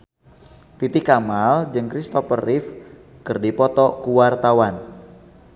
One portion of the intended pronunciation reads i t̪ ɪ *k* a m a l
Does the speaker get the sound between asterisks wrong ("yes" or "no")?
no